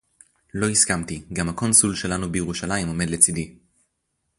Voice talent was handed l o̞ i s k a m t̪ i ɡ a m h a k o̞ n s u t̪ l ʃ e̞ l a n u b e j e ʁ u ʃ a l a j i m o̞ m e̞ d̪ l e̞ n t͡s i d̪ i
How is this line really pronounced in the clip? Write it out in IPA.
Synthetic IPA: l o̞ i s k a m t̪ i ɡ a m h a k o̞ n s u l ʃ e̞ l a n u b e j e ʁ u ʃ a l a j i m o̞ m e̞ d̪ l e̞ t͡s i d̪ i